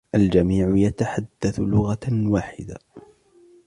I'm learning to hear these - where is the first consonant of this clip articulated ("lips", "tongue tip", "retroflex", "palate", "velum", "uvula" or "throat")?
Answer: throat